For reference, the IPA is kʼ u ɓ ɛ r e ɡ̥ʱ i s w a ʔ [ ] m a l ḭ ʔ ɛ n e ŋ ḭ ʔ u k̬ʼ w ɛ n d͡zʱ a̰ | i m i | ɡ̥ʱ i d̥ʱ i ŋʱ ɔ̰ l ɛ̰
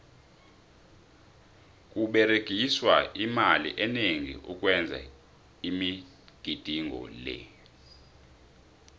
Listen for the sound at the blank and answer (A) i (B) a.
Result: A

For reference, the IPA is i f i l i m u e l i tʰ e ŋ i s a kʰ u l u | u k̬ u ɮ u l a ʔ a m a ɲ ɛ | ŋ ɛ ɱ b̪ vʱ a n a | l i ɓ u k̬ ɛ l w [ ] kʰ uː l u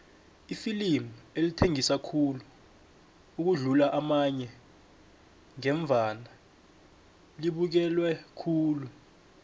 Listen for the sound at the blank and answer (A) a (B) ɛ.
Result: B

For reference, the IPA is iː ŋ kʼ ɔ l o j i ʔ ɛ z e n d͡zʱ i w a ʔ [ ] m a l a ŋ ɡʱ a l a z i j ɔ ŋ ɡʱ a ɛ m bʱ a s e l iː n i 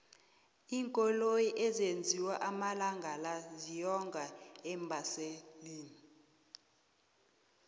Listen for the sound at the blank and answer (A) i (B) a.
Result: B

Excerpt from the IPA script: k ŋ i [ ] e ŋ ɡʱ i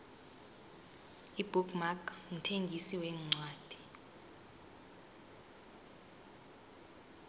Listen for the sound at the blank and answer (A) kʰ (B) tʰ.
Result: B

